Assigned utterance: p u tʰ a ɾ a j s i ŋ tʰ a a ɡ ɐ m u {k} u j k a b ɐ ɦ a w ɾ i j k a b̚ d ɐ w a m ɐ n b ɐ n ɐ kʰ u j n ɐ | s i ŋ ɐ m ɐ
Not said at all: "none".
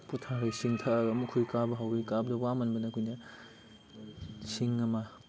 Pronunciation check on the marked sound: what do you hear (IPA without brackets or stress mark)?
kʰ